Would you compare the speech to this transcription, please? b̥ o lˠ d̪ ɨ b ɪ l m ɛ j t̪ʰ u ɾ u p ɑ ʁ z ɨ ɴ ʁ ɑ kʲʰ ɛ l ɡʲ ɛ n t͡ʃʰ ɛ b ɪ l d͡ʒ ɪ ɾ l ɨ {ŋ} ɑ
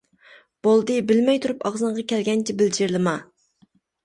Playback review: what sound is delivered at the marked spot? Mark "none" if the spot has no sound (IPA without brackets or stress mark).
m